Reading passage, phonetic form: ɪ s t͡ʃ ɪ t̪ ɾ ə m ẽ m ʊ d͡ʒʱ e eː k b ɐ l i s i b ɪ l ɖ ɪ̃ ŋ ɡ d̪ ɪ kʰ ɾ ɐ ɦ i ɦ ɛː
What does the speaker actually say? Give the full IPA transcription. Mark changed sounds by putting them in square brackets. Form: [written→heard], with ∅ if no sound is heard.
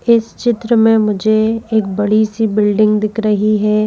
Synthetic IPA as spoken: ɪ s t͡ʃ ɪ t̪ ɾ ə m ẽ m ʊ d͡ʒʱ e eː k b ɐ [l→ɽ] i s i b ɪ l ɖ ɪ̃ ŋ ɡ d̪ ɪ kʰ ɾ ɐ ɦ i ɦ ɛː